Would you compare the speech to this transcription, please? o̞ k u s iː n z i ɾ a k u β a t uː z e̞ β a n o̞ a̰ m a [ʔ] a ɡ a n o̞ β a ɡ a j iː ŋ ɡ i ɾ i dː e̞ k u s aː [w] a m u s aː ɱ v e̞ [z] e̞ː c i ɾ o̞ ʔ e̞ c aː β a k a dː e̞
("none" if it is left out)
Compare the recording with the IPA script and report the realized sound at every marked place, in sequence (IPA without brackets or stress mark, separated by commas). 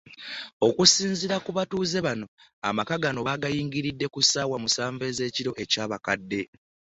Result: k, w, z